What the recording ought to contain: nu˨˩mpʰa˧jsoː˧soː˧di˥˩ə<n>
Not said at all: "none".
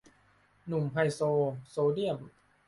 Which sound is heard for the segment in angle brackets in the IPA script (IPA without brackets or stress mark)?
m